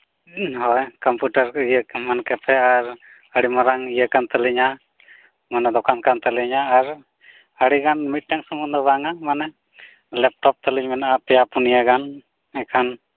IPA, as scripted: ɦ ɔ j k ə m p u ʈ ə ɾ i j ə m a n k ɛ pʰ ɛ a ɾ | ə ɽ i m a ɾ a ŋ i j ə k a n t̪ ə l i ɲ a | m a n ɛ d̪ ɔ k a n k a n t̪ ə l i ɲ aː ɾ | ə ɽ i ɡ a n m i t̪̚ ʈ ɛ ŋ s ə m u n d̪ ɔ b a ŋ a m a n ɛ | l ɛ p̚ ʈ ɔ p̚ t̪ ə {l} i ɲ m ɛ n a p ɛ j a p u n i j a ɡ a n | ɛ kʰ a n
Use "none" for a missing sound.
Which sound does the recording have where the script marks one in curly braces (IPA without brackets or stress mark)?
l